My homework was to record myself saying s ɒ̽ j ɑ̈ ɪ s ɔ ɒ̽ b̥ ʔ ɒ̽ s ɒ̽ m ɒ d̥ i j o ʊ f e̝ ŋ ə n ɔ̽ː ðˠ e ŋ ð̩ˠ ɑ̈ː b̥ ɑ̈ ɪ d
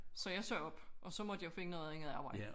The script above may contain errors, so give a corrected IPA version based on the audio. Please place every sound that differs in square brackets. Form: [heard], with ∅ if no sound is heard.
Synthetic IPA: s ɒ̽ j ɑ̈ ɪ s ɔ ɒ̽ b̥ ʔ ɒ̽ s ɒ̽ m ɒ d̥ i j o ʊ f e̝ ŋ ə n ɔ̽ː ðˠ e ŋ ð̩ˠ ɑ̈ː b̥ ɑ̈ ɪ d